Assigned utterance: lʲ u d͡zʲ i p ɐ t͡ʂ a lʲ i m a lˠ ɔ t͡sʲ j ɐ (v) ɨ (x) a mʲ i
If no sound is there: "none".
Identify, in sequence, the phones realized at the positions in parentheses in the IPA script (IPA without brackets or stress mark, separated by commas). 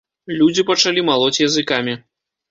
z, k